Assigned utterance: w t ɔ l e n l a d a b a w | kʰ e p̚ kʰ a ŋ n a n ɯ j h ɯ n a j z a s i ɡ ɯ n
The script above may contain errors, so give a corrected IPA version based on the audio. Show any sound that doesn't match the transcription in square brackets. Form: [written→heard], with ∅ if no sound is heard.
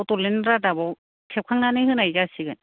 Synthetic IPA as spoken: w t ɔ l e n [l→ɾ] a d a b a w | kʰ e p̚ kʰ a ŋ n a n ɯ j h ɯ n a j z a s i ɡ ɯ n